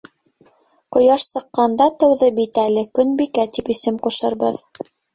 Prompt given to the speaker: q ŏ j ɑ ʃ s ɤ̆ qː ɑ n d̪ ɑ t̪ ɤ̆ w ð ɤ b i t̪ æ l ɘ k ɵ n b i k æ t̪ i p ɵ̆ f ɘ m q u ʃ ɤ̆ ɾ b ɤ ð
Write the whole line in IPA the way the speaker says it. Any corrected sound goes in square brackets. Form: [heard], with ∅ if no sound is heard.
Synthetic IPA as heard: q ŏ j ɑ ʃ s ɤ̆ qː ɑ n d̪ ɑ t̪ ɤ̆ w ð ɤ b i t̪ æ l ɘ k ɵ n b i k æ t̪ i p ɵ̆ [s] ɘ m q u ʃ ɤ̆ ɾ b ɤ ð